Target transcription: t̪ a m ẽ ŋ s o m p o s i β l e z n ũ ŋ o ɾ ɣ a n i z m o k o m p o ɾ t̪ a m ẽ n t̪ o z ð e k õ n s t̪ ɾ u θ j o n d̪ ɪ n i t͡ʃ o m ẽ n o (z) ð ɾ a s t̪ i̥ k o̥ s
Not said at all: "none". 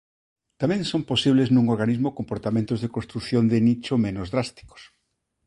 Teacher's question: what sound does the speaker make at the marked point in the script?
z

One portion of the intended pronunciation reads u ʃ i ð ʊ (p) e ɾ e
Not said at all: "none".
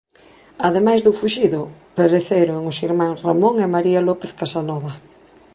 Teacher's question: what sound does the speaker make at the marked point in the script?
p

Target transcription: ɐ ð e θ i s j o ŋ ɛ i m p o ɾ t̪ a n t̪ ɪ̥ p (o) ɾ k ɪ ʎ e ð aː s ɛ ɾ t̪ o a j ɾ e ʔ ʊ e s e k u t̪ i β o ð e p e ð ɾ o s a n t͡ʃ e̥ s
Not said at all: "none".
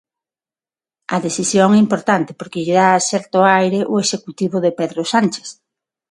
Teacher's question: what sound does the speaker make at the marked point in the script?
o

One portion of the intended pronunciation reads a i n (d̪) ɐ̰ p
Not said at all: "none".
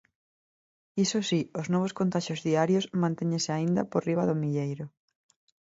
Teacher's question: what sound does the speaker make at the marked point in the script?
d̪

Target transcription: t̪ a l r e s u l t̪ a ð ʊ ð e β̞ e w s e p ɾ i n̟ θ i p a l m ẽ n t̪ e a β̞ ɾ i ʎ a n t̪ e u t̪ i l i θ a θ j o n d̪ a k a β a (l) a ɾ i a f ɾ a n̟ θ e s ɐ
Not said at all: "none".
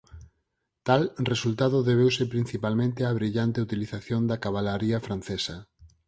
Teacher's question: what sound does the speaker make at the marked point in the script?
l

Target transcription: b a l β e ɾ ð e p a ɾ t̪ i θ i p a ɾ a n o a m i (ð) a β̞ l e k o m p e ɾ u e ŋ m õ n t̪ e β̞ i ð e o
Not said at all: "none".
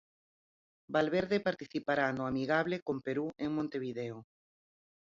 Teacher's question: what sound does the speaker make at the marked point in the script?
ɣ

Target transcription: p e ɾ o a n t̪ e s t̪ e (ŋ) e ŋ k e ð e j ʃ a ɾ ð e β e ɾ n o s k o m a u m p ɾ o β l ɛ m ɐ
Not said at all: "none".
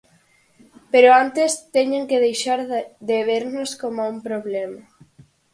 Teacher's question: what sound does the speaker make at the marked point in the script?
ɲ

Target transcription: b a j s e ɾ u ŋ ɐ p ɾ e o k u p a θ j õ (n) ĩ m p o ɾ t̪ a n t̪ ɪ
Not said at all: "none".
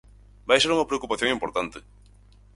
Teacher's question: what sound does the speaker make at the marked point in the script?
ŋ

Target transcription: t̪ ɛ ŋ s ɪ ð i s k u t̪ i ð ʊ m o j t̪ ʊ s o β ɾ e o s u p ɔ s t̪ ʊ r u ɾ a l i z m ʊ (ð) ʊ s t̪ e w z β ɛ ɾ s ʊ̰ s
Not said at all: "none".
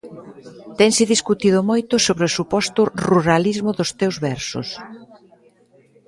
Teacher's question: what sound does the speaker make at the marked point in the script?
ð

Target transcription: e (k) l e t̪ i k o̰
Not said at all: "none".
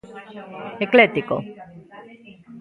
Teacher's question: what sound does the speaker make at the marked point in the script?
k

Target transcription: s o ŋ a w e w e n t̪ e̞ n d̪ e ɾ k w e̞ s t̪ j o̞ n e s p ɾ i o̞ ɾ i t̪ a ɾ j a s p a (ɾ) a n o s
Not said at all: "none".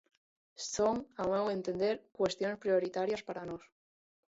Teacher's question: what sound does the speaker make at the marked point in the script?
ɾ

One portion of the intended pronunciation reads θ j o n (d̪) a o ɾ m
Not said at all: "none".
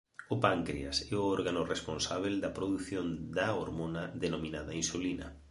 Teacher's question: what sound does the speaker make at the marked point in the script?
d̪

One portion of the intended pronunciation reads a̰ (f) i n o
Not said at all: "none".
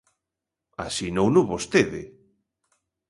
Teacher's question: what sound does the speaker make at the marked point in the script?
s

